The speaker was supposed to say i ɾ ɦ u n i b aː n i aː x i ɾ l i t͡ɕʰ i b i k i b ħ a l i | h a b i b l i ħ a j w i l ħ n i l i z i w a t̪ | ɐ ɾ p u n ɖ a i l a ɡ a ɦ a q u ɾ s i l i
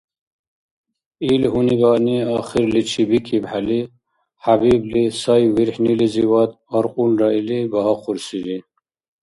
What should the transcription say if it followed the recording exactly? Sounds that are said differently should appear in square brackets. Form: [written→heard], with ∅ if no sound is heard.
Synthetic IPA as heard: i [ɾ→l] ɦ u n i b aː n i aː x i ɾ l i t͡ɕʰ i b i k i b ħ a l i | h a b i b l i [ħ→s] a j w i [l→ɾ] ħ n i l i z i w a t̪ | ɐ ɾ [p→q] u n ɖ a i l [a→i] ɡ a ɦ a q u ɾ s i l i